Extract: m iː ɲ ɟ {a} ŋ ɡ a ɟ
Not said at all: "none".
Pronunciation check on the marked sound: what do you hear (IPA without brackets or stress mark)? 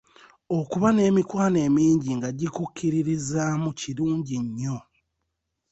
i